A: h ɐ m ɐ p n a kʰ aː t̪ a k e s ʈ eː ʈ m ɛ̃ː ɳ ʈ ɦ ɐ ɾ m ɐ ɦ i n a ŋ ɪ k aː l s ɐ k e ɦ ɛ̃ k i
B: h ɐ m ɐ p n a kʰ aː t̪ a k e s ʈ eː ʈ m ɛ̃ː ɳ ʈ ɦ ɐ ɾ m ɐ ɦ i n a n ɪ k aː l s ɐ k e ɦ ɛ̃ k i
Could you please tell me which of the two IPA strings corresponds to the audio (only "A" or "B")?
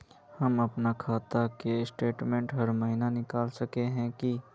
B